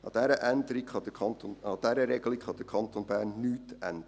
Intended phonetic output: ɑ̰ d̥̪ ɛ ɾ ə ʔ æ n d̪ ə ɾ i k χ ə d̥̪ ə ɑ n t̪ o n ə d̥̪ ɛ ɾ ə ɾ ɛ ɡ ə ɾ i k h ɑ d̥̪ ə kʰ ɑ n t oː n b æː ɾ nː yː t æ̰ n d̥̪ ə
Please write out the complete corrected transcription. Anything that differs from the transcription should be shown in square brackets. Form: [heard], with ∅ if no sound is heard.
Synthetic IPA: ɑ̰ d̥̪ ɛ ɾ ə ʔ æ n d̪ ə ɾ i k χ [ɑ] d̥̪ ə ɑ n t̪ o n [ɑ] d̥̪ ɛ ɾ ə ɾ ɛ ɡ ə [l] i k [χ] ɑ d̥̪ ə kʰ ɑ n t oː n b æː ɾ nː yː t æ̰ n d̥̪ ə

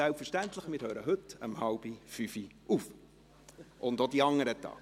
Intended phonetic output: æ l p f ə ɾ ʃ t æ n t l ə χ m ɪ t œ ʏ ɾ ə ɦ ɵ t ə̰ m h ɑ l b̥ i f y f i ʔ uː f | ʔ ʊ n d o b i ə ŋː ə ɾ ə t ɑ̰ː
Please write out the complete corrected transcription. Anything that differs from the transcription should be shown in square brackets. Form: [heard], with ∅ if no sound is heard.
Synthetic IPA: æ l p f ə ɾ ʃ t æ n t l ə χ m ɪ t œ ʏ ɾ ə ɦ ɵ t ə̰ m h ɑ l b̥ i f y f i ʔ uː f | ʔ ʊ n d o [d] i [ɑ] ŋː ə ɾ ə t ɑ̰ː

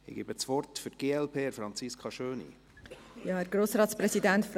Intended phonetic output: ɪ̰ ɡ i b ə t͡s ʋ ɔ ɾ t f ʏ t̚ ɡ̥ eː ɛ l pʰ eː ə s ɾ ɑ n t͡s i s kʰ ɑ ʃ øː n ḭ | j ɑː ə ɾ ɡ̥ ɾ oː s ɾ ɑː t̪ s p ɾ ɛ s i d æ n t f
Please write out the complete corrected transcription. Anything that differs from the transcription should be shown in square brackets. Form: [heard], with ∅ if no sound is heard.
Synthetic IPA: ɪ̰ ɡ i b ə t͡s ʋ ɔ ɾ t f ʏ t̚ ɡ̥ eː ɛ l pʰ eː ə [f] ɾ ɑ n t͡s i s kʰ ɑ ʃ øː n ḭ | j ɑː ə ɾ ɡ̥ ɾ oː s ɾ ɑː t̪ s p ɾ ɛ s i d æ n t f

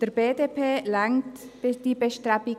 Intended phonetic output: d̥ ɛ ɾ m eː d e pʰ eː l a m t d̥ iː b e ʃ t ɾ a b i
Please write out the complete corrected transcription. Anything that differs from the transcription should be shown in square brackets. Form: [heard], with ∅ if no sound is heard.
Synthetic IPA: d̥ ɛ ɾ [b] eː d e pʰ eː l a [ŋ] t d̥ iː b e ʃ t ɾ a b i

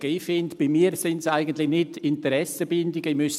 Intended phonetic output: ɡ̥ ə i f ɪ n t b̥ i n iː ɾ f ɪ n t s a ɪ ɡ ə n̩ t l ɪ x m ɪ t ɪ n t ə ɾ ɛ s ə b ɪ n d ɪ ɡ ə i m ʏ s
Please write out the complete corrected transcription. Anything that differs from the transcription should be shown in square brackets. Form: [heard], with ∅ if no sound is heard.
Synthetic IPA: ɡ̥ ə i f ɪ n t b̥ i [m] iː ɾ [s] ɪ n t s a ɪ ɡ ə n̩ t l ɪ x [n] ɪ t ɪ n t ə ɾ ɛ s ə b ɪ n d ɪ ɡ ə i m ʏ s

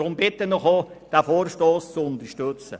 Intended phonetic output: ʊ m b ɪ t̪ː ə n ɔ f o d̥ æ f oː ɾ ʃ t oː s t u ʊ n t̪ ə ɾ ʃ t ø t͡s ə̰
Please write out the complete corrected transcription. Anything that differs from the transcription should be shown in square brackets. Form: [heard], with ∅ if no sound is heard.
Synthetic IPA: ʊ m b ɪ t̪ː ə n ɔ [χ] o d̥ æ f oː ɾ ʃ t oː s [t͡s] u ʊ n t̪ ə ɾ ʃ t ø t͡s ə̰

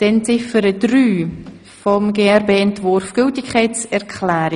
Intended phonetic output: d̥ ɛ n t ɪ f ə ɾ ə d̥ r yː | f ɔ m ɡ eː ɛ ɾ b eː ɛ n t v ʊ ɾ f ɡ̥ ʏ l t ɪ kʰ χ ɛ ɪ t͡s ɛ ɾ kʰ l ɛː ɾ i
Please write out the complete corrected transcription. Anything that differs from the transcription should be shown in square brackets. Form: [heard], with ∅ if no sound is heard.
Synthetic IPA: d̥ ɛ n [t͡s] ɪ f ə ɾ ə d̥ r yː | f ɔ m ɡ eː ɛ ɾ b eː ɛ n t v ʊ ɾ f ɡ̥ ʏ l t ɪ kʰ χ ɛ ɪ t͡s ɛ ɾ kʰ l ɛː ɾ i

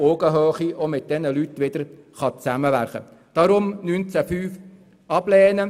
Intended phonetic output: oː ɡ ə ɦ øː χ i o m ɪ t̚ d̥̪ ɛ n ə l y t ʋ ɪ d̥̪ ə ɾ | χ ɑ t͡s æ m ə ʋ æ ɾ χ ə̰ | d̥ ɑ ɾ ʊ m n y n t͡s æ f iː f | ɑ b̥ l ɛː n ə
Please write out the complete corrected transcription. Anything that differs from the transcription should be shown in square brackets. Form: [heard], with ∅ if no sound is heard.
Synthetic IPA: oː ɡ ə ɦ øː χ i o m ɪ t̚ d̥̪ ɛ n ə l y t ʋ ɪ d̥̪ ə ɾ | χ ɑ t͡s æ m ə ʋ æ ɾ χ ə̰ | d̥ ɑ ɾ ʊ m n y n t͡s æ f [yː] f | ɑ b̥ l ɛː n ə

